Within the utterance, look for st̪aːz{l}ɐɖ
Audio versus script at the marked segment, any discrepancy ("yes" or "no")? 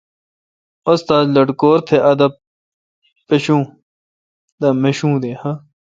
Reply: no